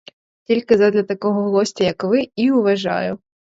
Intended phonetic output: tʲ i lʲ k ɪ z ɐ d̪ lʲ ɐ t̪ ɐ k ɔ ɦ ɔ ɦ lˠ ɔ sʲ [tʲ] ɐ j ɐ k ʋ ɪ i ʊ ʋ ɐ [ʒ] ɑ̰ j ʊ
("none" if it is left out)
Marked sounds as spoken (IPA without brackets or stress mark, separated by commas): tʲ, ʒ